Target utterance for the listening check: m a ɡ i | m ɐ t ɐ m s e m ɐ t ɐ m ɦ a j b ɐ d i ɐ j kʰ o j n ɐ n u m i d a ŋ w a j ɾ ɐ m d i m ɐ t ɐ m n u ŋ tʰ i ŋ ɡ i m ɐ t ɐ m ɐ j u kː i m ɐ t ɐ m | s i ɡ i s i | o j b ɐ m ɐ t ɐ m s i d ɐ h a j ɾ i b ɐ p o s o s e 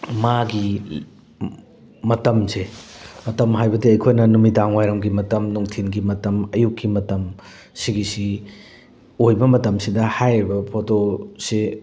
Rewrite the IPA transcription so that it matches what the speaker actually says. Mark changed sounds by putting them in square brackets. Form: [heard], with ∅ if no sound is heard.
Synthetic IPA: m a ɡ i | m ɐ t ɐ m s e m ɐ t ɐ m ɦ a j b ɐ d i ɐ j kʰ o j n ɐ n u m i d a ŋ w a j ɾ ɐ m [ɡ] i m ɐ t ɐ m n u ŋ tʰ i [n] ɡ i m ɐ t ɐ m ɐ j u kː i m ɐ t ɐ m | s i ɡ i s i | o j b ɐ m ɐ t ɐ m s i d ɐ h a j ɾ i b ɐ [pʰ] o [t] o s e